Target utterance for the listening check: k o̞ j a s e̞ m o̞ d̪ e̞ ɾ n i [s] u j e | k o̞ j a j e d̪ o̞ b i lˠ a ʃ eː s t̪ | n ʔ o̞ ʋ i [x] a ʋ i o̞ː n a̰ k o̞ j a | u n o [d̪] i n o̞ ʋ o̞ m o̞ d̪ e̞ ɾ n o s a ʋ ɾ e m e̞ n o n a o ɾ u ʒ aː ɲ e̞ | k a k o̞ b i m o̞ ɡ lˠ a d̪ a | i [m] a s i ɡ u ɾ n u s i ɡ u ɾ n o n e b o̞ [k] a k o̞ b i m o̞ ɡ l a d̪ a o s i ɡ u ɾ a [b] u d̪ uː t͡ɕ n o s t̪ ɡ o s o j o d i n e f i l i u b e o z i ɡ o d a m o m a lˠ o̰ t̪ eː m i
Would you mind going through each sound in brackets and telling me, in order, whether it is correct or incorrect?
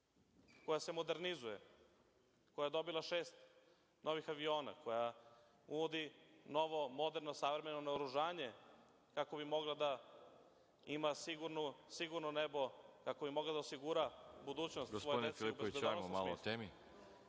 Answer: incorrect: z, correct, correct, correct, correct, correct

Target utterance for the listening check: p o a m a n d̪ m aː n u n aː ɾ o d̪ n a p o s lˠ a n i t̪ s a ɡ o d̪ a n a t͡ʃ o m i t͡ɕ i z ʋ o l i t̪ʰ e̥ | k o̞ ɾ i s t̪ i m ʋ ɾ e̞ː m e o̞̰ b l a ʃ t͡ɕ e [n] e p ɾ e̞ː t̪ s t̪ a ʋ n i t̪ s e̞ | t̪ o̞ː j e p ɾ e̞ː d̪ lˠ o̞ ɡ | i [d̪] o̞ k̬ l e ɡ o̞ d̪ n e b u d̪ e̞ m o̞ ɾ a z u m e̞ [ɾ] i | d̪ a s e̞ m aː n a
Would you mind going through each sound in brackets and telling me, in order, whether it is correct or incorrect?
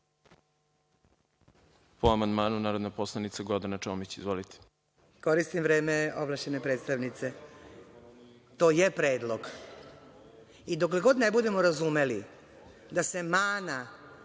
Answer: correct, correct, incorrect: l

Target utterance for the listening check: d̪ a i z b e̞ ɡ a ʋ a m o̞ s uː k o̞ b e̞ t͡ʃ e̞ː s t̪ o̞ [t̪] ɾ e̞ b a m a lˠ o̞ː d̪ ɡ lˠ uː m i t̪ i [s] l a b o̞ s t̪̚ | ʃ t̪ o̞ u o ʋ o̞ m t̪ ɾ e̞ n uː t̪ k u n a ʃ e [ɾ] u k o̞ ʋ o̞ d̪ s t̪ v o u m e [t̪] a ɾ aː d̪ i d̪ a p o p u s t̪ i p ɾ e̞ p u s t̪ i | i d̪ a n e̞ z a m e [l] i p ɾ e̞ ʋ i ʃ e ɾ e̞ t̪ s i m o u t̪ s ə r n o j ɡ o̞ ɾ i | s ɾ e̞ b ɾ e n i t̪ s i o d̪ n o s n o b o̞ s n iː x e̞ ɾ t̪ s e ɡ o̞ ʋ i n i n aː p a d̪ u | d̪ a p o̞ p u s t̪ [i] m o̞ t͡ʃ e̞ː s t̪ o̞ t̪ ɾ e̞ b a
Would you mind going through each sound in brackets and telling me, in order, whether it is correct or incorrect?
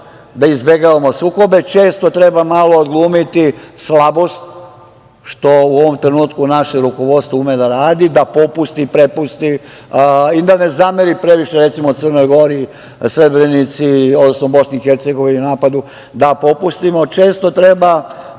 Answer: correct, correct, correct, incorrect: d̪, incorrect: ɾ, correct

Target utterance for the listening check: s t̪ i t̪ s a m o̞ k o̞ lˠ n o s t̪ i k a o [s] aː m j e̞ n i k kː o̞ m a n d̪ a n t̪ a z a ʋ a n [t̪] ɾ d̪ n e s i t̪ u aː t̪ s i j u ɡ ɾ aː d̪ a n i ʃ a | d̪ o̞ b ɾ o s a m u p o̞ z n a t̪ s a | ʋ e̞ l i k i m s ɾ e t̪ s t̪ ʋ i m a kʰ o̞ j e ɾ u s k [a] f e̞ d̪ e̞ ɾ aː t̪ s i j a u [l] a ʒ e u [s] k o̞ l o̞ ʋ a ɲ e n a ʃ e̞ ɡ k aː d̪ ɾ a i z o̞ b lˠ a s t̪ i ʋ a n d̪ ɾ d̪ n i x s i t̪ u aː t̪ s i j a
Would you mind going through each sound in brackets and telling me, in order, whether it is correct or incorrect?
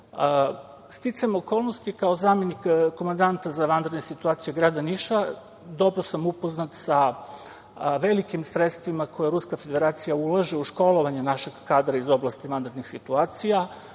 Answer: incorrect: z, incorrect: d̪, correct, correct, incorrect: ʃ

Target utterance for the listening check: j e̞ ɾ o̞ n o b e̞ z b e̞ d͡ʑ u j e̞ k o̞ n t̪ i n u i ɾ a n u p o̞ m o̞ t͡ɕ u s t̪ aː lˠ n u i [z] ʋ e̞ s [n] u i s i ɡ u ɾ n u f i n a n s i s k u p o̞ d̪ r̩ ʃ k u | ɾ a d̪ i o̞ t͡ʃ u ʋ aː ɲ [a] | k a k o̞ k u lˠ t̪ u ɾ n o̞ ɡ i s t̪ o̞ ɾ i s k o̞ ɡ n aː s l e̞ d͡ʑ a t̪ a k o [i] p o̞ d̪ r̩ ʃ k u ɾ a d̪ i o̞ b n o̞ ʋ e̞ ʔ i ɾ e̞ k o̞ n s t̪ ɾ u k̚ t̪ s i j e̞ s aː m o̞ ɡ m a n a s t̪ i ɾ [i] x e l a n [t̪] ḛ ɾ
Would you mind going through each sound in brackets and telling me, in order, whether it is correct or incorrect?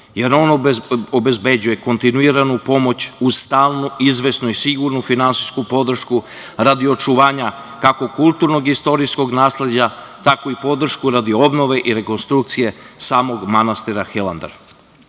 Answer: correct, correct, correct, correct, incorrect: a, incorrect: d̪

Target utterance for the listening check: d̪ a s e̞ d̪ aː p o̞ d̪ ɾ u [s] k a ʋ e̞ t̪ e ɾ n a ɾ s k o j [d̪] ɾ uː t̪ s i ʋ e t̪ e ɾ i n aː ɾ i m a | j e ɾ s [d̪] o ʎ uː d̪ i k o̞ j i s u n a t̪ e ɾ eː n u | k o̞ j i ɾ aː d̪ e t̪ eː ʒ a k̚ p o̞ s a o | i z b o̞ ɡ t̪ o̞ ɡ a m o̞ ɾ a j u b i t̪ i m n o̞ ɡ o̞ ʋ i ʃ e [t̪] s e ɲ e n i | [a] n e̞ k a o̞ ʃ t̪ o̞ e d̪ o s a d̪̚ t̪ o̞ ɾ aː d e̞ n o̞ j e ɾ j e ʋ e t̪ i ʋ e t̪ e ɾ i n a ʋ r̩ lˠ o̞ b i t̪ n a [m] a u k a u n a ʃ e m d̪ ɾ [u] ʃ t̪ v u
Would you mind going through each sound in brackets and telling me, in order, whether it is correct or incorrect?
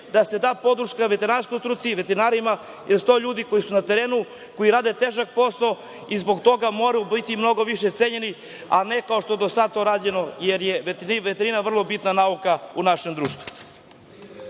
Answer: incorrect: ʃ, incorrect: t̪, incorrect: t̪, correct, correct, incorrect: n, incorrect: uː

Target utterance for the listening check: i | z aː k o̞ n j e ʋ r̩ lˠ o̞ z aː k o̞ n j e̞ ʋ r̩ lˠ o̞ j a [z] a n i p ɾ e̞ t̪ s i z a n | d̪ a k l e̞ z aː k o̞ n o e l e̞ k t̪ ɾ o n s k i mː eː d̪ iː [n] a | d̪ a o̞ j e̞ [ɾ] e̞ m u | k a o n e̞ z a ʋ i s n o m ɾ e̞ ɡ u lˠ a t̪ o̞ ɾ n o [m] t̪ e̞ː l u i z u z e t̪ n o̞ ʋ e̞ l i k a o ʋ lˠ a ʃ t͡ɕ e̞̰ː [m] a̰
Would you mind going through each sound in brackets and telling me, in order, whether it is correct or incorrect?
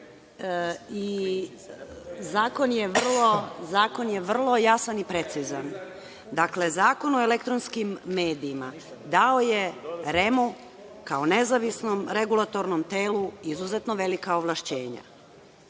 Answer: incorrect: s, incorrect: m, correct, correct, incorrect: ɲ

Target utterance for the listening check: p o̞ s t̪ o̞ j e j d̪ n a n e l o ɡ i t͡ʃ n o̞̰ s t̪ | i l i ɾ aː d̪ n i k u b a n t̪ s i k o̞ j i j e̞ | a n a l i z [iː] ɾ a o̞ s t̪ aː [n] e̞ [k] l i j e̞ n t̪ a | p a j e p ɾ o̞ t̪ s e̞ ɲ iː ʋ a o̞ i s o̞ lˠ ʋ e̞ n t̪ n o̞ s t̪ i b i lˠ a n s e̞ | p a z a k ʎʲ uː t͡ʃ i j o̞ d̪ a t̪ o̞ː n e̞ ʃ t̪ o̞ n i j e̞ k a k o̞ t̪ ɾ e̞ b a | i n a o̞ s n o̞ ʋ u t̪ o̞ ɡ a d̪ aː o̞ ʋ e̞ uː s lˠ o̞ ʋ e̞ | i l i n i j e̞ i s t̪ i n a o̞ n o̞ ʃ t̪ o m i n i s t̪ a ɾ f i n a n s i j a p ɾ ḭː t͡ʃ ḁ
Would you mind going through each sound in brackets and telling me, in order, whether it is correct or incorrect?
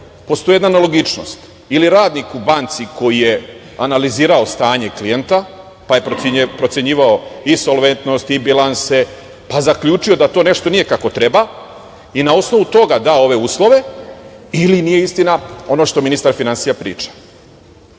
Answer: correct, incorrect: ɲ, correct

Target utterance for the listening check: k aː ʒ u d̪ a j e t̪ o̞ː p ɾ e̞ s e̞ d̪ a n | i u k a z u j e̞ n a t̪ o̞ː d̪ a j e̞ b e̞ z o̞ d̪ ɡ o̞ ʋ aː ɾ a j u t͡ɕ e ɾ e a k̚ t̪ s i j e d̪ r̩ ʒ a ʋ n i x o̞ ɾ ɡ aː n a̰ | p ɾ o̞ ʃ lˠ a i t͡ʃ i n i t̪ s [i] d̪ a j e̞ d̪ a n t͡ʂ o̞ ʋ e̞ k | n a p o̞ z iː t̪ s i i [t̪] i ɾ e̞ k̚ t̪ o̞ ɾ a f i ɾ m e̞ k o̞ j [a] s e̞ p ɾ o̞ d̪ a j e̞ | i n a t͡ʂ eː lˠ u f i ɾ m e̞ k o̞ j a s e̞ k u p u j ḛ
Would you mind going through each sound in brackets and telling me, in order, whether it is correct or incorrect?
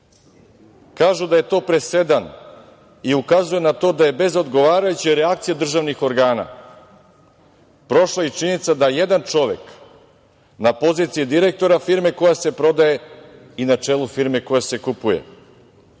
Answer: incorrect: a, incorrect: d̪, correct

